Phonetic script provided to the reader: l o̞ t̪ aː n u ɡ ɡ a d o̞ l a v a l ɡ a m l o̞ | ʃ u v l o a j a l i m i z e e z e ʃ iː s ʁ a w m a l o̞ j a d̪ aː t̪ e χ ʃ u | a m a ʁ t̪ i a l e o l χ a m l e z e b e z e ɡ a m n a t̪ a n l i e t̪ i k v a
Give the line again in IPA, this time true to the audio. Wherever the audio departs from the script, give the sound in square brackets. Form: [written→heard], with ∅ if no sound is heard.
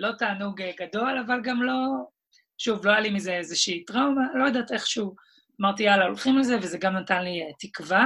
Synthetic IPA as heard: l o̞ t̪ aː n u ɡ ɡ a d o̞ l a v a l ɡ a m l o̞ | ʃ u v l o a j a l i m i z e e z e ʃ iː [s→t] ʁ a w m a l o̞ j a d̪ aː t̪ e χ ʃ u | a m a ʁ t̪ i a l [e→a] o l χ [a→i] m l e z e [b→v] e z e ɡ a m n a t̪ a n l i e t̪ i k v a